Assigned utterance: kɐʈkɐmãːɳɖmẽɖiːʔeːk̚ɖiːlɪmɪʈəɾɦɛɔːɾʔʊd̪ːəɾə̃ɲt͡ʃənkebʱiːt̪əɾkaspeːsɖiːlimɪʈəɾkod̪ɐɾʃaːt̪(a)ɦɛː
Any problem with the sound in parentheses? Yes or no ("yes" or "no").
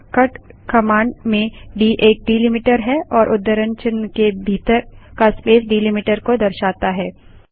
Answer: no